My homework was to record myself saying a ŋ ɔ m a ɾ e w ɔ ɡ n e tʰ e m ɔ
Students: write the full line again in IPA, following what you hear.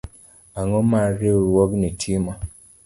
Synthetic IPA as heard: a ŋ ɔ m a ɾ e w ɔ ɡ n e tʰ i m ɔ